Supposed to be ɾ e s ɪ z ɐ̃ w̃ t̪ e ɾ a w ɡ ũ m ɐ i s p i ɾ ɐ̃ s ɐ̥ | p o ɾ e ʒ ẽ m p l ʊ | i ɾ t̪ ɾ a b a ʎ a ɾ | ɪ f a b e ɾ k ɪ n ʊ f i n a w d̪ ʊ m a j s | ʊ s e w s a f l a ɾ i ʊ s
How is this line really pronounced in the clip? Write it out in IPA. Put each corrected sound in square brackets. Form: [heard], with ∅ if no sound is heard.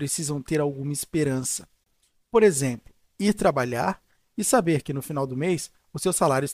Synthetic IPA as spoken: ɾ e s [i] z ɐ̃ w̃ t̪ e ɾ a w ɡ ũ m ɐ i s p [e] ɾ ɐ̃ s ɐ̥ | p o ɾ e [z] ẽ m p l ʊ | i ɾ t̪ ɾ a b a ʎ a ɾ | ɪ [s] a b e ɾ k ɪ n ʊ f i n a w d̪ ʊ m [e] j s | ʊ s e w s a [∅] l a ɾ [j] ʊ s